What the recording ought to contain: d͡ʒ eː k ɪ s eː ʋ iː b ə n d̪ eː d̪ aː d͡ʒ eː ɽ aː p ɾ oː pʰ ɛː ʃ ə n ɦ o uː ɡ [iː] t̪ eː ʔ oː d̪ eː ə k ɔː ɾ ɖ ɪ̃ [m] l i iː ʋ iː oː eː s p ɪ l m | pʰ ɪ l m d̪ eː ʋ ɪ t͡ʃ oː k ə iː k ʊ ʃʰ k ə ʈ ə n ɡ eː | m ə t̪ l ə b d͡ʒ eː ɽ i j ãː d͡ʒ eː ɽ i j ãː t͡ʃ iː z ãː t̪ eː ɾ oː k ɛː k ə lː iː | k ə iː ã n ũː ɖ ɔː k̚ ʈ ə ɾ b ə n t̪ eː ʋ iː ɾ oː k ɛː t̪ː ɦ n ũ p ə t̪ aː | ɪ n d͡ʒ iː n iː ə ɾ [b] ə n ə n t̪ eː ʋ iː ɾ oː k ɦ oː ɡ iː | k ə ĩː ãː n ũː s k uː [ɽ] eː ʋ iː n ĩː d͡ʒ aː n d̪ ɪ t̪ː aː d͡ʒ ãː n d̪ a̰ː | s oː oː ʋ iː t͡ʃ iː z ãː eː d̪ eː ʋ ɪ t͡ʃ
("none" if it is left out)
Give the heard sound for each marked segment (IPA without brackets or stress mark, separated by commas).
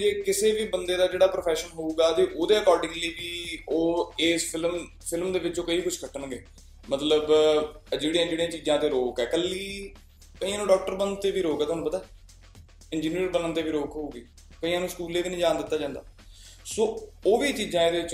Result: aː, ŋ, b, l